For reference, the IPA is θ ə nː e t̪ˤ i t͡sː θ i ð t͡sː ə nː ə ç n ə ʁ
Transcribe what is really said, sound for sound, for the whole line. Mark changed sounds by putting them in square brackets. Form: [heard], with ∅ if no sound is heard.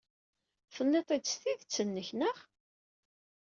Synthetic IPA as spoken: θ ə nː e t̪ˤ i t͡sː θ i ð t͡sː ə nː ə ç n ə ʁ